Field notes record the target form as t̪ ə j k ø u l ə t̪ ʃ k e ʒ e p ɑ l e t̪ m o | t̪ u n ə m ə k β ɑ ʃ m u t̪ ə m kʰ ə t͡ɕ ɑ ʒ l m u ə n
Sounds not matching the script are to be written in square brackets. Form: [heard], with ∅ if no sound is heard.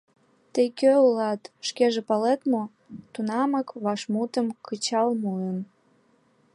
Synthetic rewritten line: t̪ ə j k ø u l [ɑ] t̪ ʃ k e ʒ e p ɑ l e t̪ m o | t̪ u n [ɑ] m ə k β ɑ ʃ m u t̪ ə m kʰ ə t͡ɕ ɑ [∅] l m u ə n